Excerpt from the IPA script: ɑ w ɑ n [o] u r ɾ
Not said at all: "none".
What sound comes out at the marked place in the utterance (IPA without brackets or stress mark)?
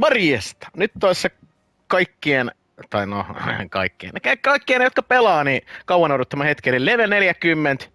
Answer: o